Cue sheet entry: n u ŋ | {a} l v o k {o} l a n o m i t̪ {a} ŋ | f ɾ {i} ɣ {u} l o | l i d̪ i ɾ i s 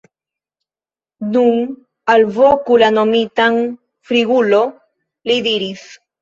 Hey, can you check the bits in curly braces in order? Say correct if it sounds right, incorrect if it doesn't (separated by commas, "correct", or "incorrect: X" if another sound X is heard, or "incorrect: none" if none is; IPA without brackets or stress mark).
correct, incorrect: u, correct, correct, correct